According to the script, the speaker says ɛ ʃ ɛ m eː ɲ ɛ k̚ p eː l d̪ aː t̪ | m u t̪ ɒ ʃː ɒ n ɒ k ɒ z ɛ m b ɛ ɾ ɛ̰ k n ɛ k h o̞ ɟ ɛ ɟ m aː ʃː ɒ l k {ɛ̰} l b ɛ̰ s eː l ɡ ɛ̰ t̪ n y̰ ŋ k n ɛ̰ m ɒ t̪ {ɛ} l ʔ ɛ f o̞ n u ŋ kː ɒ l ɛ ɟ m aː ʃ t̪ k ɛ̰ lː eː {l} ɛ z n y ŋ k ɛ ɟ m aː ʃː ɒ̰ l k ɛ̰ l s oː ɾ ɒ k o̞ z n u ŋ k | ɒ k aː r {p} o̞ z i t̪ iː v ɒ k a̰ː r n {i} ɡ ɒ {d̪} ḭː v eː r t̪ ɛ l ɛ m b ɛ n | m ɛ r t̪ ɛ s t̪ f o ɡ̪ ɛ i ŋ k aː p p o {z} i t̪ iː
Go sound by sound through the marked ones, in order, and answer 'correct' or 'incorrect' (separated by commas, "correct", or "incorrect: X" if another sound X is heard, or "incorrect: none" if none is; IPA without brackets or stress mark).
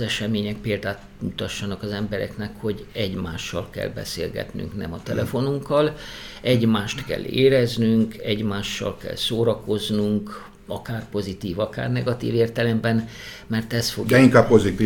correct, correct, incorrect: ɾ, correct, incorrect: ɛ, incorrect: t̪, correct